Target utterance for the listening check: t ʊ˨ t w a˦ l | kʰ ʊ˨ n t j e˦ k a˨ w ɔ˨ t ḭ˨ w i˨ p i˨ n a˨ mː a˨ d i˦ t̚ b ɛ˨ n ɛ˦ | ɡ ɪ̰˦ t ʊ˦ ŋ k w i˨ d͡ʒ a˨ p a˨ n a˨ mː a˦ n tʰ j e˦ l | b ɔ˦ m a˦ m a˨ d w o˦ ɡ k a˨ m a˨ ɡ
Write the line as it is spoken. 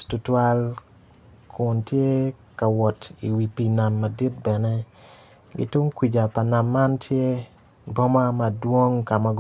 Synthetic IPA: t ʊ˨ t w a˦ l | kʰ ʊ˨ n t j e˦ k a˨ w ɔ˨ t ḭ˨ w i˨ p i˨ n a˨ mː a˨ d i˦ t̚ b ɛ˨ n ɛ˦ | ɡ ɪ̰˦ t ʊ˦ ŋ k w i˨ d͡ʒ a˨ p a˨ n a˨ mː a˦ n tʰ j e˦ | b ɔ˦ m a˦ m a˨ d w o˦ ŋ k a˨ m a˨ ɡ

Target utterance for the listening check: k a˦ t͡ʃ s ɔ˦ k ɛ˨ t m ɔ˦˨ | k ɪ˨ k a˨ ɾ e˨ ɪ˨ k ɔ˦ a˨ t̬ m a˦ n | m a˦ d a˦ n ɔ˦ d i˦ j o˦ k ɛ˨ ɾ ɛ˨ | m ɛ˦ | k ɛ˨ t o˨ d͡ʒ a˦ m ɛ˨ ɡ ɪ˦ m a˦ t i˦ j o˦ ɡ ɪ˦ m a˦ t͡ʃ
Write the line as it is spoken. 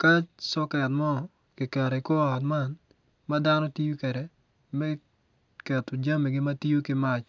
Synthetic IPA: k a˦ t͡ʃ s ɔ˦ k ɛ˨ t m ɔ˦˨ | k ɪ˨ k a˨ ɾ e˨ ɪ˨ k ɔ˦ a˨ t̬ m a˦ n | m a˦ d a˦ n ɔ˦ t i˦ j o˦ k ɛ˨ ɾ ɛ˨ | m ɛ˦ | k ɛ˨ t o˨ d͡ʒ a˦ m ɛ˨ ɡ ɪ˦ m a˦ t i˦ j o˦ k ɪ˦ m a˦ t͡ʃ

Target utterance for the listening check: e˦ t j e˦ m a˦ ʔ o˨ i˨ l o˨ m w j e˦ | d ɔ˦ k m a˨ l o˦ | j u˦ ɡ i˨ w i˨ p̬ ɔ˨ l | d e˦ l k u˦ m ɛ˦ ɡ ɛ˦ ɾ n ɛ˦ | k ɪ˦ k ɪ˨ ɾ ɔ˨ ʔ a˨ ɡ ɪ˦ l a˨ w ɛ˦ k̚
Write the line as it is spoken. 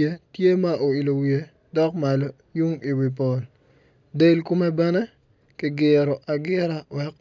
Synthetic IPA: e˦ t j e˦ m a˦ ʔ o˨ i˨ l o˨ w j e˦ | d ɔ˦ k m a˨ l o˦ | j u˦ ŋ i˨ w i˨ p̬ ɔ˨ l | d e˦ l k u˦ m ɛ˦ b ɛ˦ n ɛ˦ | k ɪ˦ ɡ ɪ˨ ɾ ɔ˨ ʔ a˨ ɡ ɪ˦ ɾ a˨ w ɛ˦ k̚

